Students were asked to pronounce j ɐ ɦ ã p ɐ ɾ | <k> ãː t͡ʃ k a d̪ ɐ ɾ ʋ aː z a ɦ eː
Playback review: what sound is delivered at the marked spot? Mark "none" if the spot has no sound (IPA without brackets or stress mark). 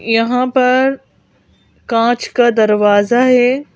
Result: k